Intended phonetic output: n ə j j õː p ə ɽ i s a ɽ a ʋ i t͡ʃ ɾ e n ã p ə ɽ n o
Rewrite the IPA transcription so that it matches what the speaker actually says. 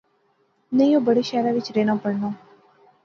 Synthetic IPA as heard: n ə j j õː b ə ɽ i ʃ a ɾ a ʋ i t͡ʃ ɾ e n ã p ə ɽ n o